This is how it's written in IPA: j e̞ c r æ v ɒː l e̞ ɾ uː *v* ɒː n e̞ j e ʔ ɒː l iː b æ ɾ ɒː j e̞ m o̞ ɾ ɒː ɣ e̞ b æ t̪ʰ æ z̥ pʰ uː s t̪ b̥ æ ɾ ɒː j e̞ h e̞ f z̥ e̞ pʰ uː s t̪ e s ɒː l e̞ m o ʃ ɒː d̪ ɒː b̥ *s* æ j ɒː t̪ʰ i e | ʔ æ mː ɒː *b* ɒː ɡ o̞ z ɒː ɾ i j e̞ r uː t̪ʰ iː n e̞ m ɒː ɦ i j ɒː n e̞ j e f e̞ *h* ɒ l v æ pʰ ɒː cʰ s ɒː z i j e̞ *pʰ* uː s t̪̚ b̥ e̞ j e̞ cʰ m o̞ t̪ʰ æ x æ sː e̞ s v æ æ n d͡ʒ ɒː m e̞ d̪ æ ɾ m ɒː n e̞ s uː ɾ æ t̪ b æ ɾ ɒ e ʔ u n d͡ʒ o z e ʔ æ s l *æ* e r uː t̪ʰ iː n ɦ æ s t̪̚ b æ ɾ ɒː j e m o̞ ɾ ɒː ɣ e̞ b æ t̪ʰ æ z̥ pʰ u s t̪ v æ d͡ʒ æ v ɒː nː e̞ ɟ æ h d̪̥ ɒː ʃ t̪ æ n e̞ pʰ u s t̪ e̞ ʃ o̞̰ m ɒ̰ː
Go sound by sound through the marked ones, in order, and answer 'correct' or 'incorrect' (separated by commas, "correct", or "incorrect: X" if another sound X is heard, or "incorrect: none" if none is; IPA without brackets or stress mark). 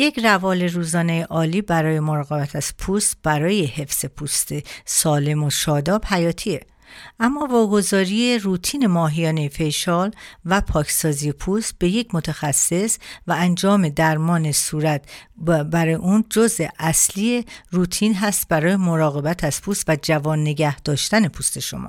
incorrect: z, incorrect: h, incorrect: v, incorrect: ʃ, correct, incorrect: i